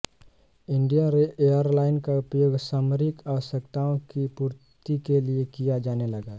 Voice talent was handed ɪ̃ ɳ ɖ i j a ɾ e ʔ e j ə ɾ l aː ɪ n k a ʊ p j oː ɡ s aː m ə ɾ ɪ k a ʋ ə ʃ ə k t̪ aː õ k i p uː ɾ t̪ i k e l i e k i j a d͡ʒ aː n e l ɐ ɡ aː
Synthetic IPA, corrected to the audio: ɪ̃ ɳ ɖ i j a ɾ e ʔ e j ə ɾ l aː ɪ n k a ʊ p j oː ɡ s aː m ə ɾ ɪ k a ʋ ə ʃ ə k t̪ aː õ k i p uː ɾ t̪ i k e l i e k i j a d͡ʒ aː n e l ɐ ɡ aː